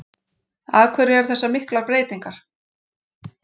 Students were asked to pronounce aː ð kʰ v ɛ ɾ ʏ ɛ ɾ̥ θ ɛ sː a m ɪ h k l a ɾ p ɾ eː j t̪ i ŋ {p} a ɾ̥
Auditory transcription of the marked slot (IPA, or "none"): k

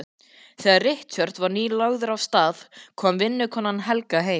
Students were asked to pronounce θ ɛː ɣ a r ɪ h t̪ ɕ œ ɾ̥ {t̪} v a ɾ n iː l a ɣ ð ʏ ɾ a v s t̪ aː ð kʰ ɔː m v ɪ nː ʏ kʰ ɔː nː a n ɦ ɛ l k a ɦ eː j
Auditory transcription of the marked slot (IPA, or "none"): t̪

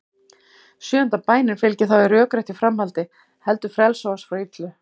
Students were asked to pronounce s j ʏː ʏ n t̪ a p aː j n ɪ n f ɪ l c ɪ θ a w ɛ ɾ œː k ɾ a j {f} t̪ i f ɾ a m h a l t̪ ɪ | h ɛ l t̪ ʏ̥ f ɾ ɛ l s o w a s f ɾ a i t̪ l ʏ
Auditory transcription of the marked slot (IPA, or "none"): h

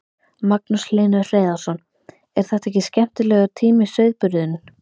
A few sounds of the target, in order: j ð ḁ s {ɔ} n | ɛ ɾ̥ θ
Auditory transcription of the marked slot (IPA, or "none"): ɔ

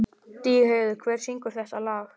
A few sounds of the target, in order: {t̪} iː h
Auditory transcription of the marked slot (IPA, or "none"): t̪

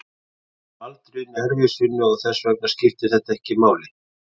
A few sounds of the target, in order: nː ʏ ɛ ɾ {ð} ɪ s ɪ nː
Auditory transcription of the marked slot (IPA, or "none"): v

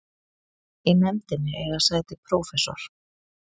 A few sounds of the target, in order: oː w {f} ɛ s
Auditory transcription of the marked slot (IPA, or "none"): f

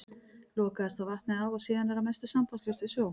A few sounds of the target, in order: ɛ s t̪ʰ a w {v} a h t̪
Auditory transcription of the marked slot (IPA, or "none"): v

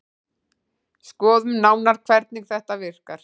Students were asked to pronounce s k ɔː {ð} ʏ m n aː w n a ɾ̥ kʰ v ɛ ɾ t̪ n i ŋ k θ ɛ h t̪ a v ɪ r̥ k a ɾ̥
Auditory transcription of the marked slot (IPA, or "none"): ð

